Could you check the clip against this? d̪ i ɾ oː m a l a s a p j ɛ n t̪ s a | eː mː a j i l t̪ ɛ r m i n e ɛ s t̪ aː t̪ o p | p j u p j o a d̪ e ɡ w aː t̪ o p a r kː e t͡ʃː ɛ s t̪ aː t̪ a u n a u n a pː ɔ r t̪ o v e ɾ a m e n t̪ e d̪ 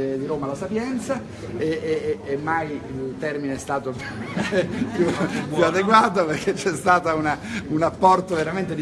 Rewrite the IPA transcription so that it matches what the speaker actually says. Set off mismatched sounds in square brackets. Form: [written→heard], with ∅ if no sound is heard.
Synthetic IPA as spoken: d̪ i ɾ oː m a l a s a p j ɛ n t̪ s a | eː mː a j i l t̪ ɛ r m i n e ɛ s t̪ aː t̪ o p | p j u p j [o→u] a d̪ e ɡ w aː t̪ o p [a→e] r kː e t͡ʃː ɛ s t̪ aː t̪ a u n a u n a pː ɔ r t̪ o v e ɾ a m e n t̪ e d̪

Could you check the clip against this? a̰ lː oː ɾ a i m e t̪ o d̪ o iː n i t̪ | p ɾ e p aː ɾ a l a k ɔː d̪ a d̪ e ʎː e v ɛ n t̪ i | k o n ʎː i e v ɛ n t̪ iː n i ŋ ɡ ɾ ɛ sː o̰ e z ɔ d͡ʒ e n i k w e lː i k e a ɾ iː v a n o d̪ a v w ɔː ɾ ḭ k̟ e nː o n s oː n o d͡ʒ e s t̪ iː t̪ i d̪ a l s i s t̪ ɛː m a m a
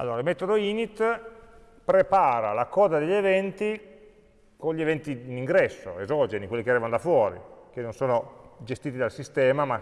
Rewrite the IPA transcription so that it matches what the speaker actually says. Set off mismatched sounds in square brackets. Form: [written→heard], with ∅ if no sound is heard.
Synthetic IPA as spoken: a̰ lː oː ɾ a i m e t̪ o d̪ o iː n i t̪ | p ɾ e p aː ɾ a l a k ɔː d̪ a d̪ e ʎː e v ɛ n t̪ i | k o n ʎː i e v ɛ n t̪ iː n i ŋ ɡ ɾ ɛ sː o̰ e z ɔ d͡ʒ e n i k w e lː i k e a ɾ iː v a n o d̪ a [v→f] w ɔː ɾ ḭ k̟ e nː o n s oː n o d͡ʒ e s t̪ iː t̪ i d̪ a l s i s t̪ ɛː m a m a

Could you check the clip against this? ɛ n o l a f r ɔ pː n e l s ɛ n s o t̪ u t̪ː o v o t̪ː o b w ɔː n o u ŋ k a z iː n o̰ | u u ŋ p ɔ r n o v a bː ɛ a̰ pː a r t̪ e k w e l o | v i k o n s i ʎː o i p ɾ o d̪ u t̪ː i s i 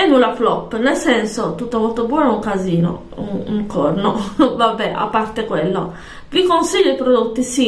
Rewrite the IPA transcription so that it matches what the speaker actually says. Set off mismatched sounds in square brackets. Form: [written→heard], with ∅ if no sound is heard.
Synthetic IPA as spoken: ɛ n [o→u] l a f [r→l] ɔ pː n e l s ɛ n s o t̪ u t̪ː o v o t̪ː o b w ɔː n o u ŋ k a z iː n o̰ | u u ŋ [p→k] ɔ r n o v a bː ɛ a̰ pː a r t̪ e k w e [l→lː] o | v i k o n s i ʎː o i p ɾ o d̪ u t̪ː i s i

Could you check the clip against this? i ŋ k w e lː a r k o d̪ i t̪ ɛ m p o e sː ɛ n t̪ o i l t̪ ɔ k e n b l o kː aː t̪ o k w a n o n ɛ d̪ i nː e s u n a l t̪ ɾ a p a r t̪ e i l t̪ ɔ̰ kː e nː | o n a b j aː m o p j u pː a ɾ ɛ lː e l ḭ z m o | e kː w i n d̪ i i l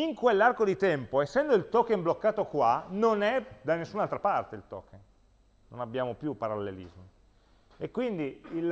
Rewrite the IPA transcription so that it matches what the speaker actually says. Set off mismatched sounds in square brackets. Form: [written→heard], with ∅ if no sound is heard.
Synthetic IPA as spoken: i ŋ k w e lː a r k o d̪ i t̪ ɛ m p o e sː ɛ n [t̪→d̪] o i l t̪ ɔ k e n b l o kː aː t̪ o k w a n o n ɛ d̪ [i→a] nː e [s→sː] u n a l t̪ ɾ a p a r t̪ e i l t̪ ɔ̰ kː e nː | o n a b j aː m o p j u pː a ɾ [ɛ→a] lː e l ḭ z m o | e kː w i n d̪ i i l

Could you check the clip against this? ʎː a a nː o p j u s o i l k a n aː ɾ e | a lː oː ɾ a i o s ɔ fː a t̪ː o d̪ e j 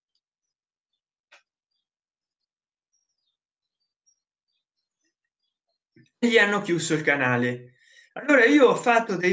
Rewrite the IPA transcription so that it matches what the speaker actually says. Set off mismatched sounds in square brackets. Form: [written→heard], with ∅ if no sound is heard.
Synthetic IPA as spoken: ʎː [a→i] a nː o [p→k] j u s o i l k a n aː [ɾ→l] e | a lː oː ɾ a [i→iː] o [s→∅] ɔ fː a t̪ː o d̪ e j

